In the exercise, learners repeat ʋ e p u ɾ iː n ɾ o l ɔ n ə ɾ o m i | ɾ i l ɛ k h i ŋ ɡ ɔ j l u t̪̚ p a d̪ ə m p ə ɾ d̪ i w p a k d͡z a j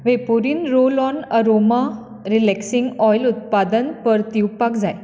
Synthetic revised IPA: ʋ e p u ɾ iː n ɾ o l ɔ n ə ɾ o m a | ɾ i l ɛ k s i ŋ ɡ ɔ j l u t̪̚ p a d̪ ə n p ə ɾ t̪ i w p a k d͡z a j